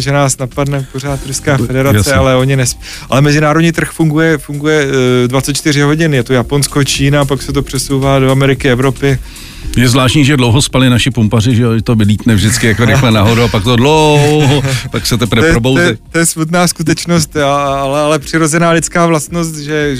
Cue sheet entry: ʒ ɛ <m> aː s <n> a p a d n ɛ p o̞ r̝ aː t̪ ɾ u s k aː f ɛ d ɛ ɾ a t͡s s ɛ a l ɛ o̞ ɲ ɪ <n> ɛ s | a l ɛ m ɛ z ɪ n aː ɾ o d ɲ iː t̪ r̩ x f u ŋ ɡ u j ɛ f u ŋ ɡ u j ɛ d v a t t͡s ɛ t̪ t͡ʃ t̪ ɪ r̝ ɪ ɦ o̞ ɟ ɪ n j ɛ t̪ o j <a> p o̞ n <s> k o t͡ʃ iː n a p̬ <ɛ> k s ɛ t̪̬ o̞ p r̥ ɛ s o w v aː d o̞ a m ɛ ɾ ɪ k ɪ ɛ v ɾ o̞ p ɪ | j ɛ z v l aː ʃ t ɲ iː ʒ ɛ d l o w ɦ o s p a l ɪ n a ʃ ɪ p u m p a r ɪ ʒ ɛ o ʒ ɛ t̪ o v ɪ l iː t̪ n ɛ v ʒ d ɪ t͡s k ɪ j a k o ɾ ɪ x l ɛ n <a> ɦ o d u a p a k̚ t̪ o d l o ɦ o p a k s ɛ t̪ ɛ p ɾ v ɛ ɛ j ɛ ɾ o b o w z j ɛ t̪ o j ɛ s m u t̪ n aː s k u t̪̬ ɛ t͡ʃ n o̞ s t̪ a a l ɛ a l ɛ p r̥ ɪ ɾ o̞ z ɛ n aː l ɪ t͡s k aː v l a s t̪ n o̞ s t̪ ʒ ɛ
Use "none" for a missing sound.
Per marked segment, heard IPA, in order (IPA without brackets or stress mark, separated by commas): n, n, n, a, s, a, a